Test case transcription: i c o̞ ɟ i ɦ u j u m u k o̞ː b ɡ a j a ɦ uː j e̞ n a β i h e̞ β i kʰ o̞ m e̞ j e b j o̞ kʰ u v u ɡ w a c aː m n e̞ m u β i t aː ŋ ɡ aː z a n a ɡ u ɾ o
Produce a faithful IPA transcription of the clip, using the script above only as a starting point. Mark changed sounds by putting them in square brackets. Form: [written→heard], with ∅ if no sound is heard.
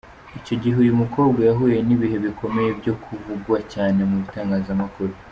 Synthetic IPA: i c o̞ ɟ i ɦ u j u m u k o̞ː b ɡ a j a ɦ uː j e̞ n [a→i] β i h e̞ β i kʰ o̞ m e̞ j e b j o̞ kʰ u v u ɡ w a c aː [m→∅] n e̞ m u β i t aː ŋ ɡ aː z a [n→m] a [ɡ→k] u ɾ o